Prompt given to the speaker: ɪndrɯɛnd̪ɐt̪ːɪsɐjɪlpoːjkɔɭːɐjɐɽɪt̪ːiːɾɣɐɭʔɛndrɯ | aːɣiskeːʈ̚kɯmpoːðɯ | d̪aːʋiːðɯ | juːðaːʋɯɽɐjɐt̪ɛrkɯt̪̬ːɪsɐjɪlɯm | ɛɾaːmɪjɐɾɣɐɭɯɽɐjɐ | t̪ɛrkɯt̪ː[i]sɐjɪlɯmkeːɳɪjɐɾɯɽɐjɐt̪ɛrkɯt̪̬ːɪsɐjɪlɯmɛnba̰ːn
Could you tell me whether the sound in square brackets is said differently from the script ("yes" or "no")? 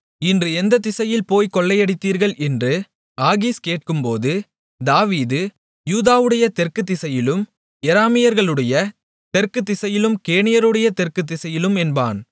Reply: yes